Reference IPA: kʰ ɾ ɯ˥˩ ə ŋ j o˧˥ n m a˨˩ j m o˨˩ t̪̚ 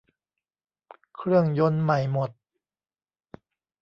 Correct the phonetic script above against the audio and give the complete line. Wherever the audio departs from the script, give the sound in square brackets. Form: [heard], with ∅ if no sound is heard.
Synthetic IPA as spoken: kʰ ɾ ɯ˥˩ ə ŋ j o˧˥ n m a˨˩ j m o˨˩ t̪̚

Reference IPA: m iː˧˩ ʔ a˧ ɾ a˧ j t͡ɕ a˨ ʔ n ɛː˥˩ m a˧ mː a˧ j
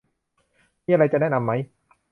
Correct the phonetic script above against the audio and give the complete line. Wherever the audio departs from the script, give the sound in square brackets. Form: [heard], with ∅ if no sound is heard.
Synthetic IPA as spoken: m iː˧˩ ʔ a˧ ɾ a˧ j t͡ɕ a˨ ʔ n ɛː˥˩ [n] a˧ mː [a˦˥] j

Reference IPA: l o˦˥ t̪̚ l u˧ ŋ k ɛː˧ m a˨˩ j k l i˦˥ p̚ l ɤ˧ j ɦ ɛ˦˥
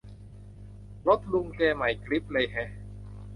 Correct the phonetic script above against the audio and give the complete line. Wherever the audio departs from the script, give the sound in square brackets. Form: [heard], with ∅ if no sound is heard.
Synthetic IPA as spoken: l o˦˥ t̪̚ l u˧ ŋ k ɛː˧ m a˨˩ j k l i˦˥ p̚ l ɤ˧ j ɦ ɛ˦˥

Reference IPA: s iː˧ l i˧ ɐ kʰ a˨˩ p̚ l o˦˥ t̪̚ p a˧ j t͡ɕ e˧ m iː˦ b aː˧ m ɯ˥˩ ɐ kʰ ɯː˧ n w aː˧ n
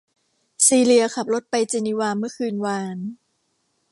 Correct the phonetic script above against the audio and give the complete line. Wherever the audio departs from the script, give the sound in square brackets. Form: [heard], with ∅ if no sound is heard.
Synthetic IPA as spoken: s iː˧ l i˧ ɐ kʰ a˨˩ p̚ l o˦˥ t̪̚ p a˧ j t͡ɕ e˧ [n] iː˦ [w] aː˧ m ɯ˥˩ ɐ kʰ ɯː˧ n w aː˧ n

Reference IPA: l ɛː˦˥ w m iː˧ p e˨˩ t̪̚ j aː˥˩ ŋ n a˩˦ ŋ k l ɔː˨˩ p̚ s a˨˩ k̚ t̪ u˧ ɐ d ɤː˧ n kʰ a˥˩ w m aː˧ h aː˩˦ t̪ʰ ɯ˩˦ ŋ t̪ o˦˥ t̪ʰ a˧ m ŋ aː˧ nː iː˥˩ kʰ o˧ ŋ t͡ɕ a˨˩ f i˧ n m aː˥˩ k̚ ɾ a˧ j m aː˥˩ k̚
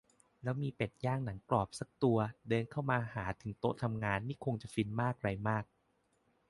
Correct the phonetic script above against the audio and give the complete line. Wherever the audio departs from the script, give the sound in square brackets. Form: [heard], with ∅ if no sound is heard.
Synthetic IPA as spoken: l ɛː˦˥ w m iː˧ p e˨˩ t̪̚ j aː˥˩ ŋ n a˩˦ ŋ k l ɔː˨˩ p̚ s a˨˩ k̚ t̪ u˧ ɐ d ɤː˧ n kʰ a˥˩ w m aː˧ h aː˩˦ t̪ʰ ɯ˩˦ ŋ t̪ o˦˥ t̪ʰ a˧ m ŋ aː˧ nː iː˥˩ kʰ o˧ ŋ t͡ɕ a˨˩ f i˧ n m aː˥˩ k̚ ɾ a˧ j m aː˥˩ k̚

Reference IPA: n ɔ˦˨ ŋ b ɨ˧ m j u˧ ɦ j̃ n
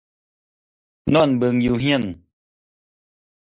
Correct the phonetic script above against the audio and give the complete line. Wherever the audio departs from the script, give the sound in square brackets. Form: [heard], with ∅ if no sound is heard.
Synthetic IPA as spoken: n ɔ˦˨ [n] b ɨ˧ [ŋ] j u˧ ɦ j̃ n

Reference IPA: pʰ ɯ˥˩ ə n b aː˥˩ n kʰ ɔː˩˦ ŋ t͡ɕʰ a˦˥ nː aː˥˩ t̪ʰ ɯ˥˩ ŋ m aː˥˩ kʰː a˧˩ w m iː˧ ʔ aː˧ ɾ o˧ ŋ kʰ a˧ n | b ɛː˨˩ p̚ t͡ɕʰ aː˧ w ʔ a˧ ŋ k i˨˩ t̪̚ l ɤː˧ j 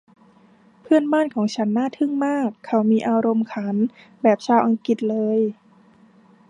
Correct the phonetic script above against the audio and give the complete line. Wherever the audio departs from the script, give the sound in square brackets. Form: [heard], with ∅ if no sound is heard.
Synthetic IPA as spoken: pʰ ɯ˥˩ ə n b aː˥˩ n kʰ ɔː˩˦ ŋ t͡ɕʰ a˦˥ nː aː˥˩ t̪ʰ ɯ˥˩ ŋ m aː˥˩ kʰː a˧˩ w m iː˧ ʔ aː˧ ɾ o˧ [m] kʰ [a˩˦] n | b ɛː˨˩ p̚ t͡ɕʰ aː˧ w ʔ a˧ ŋ k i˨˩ t̪̚ l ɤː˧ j

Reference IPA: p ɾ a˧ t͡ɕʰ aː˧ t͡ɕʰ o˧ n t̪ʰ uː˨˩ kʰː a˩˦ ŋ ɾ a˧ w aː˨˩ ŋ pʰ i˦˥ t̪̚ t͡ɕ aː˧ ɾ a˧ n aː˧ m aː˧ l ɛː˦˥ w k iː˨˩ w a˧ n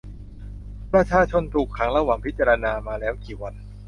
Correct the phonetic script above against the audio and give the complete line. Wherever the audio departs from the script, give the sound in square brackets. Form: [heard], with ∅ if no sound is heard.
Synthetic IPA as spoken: p ɾ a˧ t͡ɕʰ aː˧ t͡ɕʰ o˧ n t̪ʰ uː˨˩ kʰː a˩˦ ŋ ɾ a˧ w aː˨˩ ŋ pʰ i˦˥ t̪̚ t͡ɕ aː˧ ɾ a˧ n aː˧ m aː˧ l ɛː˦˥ w k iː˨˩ w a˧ n

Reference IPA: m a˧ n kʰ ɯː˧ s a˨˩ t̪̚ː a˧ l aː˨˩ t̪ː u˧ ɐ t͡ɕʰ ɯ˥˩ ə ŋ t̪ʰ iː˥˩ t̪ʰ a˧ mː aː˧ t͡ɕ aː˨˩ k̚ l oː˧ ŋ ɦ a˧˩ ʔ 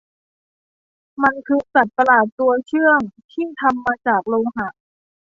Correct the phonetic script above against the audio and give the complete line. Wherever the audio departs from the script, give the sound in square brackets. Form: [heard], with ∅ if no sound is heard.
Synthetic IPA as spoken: m a˧ n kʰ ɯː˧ s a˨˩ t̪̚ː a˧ l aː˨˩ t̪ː u˧ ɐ t͡ɕʰ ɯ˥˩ ə ŋ t̪ʰ iː˥˩ t̪ʰ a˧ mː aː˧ t͡ɕ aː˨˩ k̚ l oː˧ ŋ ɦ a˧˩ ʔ

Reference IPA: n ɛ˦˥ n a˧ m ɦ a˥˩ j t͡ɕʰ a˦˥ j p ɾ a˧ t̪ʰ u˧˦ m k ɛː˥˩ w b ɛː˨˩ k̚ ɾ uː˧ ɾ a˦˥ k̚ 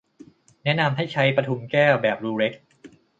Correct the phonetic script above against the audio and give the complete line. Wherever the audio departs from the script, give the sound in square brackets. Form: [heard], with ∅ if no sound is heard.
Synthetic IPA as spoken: n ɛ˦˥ n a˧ m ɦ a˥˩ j t͡ɕʰ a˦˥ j p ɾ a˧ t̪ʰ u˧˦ m k ɛː˥˩ w b ɛː˨˩ [p̚] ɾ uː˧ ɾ [e˦˥] k̚

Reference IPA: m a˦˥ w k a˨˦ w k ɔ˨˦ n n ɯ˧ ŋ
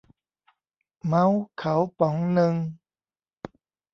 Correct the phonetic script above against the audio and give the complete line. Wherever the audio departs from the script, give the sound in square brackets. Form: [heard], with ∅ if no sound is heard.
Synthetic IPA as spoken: m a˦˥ w [kʰ] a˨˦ w [p] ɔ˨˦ [ŋ] n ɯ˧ ŋ

